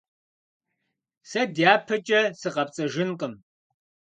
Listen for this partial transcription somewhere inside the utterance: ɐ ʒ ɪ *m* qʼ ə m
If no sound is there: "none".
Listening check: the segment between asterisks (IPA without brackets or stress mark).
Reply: n